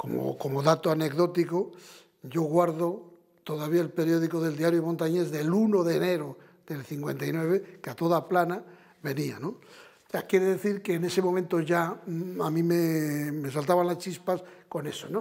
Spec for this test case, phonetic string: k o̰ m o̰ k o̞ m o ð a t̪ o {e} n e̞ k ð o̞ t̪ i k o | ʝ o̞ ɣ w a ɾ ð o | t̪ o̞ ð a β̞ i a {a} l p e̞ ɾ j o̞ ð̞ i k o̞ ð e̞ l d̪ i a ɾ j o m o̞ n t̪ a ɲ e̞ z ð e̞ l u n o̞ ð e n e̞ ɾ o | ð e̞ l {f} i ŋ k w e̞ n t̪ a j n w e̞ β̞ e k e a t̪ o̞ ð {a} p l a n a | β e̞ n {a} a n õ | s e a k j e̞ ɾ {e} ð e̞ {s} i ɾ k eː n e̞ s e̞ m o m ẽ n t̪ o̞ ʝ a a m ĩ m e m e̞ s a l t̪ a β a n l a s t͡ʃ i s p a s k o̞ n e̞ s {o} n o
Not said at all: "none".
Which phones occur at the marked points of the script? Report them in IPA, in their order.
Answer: a, e, θ, a, i, e, θ, o

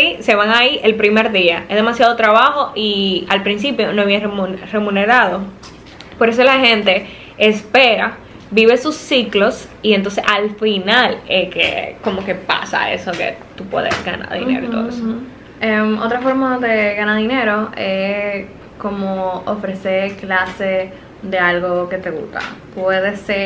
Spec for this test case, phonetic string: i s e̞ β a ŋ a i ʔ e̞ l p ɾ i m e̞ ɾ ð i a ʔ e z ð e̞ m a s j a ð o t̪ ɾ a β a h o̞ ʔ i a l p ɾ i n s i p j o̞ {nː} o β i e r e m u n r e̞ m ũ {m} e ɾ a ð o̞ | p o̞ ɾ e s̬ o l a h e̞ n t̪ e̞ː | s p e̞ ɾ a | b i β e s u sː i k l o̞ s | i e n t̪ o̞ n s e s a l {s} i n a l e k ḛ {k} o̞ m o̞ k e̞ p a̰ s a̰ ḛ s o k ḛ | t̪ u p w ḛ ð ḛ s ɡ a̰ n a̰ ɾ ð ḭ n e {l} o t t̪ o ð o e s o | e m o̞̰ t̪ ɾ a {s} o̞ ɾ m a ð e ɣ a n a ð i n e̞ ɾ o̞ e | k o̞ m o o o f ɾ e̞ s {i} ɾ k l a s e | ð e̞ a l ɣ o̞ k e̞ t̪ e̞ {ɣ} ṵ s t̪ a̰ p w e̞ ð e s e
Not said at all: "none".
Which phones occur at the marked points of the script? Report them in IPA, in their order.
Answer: n, n, f, k, ɾ, f, e, ɣ

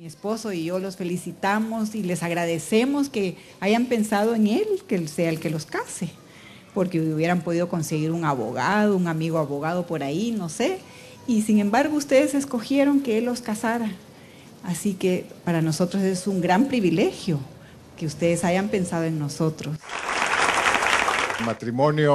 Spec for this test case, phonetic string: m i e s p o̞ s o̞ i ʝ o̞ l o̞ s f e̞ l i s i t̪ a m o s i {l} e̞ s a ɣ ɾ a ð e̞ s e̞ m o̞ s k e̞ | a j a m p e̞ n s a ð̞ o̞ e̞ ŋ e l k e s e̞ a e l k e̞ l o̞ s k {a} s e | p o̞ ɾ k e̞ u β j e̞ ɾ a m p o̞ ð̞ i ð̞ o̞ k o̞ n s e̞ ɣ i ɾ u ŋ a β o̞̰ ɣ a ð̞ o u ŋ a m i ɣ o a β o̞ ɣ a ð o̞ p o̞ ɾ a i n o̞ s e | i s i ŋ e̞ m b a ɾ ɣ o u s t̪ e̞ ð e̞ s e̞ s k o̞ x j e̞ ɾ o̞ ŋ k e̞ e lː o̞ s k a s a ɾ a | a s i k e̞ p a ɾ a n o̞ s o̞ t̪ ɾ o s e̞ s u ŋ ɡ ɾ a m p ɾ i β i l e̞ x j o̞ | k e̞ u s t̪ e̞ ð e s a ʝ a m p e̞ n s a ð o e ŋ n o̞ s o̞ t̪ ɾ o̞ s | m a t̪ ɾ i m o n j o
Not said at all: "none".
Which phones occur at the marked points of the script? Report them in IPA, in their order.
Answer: l, a

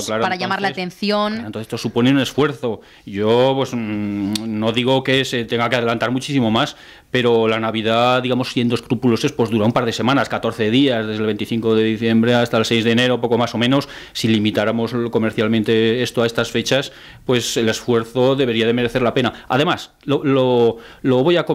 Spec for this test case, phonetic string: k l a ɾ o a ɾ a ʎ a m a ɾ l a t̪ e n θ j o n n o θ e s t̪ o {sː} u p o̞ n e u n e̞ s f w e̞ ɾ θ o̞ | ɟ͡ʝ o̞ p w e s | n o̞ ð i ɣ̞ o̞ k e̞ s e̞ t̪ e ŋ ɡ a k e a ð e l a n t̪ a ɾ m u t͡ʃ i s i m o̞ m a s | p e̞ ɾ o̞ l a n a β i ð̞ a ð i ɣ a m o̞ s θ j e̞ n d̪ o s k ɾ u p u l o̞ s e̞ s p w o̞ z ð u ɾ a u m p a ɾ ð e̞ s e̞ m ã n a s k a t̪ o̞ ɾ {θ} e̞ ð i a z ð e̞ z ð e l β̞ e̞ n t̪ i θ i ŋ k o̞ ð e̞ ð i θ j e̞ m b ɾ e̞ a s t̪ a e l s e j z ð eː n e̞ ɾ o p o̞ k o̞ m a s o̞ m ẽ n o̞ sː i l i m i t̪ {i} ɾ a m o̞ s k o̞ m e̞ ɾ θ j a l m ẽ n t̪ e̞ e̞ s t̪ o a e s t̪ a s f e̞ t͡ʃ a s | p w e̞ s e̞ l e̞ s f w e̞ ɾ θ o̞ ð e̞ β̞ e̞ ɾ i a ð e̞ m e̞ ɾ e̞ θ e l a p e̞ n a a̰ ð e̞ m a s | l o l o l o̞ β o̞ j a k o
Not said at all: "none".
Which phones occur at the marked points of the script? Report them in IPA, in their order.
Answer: s, θ, a

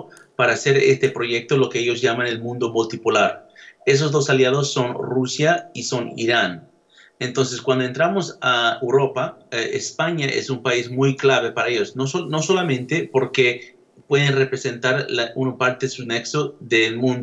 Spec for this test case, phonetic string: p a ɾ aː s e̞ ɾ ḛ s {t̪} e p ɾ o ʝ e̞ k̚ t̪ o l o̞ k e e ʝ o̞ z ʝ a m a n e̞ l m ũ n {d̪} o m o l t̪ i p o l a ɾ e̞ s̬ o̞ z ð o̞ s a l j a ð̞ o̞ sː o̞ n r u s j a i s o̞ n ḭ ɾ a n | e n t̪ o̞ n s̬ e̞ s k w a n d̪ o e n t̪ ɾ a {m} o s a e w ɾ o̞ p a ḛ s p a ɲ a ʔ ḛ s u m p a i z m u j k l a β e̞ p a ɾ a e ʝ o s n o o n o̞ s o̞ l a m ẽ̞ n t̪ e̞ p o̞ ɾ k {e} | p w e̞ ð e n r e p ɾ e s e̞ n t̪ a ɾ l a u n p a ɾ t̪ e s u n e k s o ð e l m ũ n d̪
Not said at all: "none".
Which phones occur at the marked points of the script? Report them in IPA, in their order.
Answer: t̪, d̪, m, e

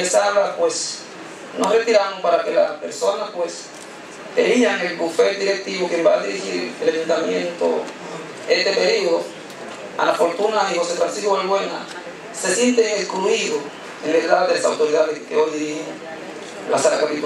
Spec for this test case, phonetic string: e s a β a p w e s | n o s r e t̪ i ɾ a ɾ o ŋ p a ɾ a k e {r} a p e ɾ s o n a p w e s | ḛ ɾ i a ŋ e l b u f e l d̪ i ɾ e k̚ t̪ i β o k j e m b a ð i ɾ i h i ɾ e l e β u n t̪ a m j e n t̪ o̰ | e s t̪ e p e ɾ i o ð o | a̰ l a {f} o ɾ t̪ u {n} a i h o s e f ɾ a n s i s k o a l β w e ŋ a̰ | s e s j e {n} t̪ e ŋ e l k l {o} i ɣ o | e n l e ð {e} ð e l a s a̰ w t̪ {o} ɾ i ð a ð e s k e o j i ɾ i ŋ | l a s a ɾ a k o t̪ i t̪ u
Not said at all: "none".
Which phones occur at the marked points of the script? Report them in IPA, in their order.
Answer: l, f, n, n, u, a, o

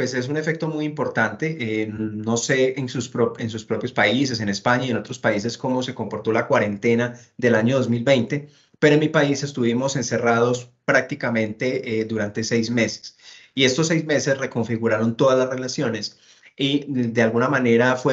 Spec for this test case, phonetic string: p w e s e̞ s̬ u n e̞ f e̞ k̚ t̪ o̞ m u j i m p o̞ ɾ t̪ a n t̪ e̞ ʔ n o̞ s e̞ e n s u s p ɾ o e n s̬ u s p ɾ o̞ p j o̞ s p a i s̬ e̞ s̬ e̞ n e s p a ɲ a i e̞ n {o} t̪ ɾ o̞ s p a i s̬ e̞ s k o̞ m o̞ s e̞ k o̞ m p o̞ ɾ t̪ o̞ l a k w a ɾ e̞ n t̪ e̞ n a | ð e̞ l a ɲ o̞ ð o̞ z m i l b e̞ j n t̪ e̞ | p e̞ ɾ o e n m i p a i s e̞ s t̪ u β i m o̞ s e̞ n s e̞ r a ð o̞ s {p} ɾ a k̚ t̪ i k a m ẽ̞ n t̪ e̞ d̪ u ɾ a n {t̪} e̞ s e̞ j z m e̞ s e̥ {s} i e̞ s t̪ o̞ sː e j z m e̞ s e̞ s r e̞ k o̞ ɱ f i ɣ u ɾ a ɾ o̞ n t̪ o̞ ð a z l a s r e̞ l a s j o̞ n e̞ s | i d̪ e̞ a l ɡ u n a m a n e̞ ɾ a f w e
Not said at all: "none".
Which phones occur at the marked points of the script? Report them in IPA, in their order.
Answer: o, p, t̪, s

